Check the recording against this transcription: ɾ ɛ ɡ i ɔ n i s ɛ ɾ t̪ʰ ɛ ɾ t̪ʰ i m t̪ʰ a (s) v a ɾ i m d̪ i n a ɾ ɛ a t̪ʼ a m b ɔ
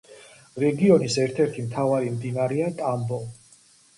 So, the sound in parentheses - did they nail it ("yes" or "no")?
no